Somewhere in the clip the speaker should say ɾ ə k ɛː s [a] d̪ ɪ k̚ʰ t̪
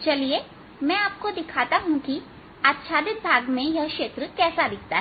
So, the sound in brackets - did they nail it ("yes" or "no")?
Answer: yes